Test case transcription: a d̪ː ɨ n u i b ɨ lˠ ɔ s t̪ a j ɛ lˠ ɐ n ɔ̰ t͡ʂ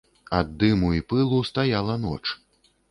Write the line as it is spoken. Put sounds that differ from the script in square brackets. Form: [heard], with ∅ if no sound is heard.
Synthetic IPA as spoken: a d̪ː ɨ [m] u i [p] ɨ lˠ [u] s t̪ a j [a] lˠ ɐ n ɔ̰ t͡ʂ